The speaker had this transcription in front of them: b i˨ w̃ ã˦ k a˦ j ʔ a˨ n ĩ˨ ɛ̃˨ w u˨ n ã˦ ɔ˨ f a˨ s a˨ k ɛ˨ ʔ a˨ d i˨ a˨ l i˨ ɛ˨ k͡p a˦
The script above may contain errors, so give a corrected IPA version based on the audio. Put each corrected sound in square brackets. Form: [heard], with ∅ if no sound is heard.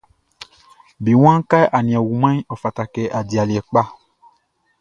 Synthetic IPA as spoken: b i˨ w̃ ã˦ k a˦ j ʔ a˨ n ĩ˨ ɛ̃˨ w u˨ [m] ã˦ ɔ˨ f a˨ [t] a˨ k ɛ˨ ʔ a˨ d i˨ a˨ l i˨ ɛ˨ k͡p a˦